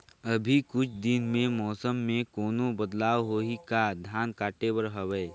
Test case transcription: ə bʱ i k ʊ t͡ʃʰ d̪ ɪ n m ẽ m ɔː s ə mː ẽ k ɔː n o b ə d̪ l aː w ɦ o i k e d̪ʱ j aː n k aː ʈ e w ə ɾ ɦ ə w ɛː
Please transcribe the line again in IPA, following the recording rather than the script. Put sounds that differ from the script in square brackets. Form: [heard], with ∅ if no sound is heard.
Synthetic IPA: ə bʱ i k ʊ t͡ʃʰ d̪ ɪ n m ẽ m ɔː s ə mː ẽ k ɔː n o b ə d̪ l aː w ɦ o i k [a] d̪ʱ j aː n k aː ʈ e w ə ɾ ɦ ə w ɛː